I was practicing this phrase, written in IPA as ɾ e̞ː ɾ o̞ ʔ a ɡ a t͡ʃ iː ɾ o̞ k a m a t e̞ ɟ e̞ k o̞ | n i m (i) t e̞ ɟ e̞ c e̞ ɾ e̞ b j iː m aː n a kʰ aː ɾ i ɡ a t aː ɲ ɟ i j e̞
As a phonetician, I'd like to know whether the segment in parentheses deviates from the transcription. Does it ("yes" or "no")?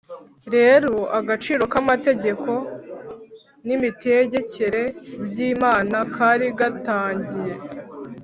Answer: no